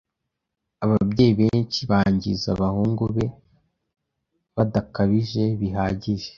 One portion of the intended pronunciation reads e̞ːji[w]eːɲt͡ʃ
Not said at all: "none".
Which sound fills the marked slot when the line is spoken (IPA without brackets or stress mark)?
β